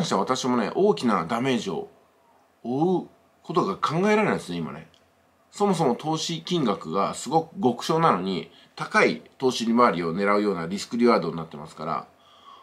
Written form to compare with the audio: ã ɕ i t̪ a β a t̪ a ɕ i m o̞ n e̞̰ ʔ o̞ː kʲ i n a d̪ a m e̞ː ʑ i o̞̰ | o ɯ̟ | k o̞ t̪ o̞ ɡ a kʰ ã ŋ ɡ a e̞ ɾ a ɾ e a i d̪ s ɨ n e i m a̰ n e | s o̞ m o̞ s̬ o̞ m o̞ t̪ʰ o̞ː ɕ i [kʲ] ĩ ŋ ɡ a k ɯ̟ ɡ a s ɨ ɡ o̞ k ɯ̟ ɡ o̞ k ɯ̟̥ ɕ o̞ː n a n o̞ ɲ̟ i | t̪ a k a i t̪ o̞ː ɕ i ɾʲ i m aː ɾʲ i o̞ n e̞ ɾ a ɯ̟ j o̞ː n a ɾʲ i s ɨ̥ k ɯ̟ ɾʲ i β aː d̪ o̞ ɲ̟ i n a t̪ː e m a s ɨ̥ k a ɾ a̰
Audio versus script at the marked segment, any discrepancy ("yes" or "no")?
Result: no